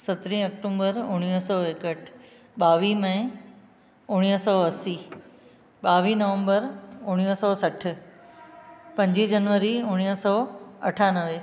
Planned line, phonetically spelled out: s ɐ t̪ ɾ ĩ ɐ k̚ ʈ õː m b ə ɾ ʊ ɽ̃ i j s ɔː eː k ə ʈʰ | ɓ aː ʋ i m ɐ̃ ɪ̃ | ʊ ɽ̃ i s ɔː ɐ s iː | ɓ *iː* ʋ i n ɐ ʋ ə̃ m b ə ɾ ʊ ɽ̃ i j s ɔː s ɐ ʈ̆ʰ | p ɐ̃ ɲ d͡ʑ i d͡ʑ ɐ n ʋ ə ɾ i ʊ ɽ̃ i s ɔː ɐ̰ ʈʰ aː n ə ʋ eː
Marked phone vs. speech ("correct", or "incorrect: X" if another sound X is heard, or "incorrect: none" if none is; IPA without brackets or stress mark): incorrect: aː